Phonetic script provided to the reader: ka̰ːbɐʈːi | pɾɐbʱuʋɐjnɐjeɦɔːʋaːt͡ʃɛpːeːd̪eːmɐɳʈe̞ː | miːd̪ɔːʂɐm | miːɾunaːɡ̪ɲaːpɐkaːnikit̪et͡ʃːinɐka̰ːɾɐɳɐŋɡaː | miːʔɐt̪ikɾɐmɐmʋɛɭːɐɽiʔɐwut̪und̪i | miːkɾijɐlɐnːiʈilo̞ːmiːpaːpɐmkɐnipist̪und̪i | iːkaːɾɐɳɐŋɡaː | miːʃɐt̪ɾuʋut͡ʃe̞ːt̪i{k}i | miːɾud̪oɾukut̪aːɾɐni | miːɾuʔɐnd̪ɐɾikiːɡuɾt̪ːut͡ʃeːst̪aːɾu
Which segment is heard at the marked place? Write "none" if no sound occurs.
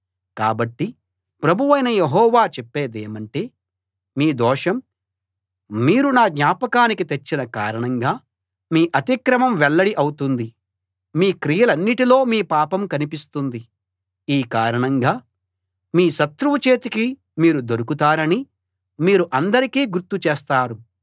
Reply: k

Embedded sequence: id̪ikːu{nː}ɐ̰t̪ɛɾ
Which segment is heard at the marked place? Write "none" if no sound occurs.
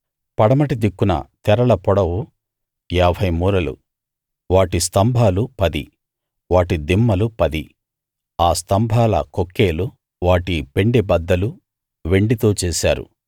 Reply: n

